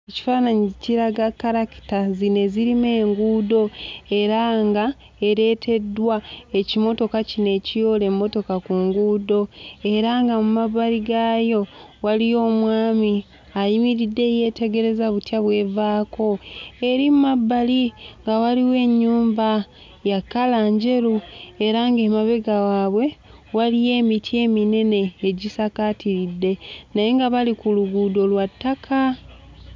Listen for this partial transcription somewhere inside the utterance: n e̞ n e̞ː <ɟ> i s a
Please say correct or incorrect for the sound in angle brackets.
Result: correct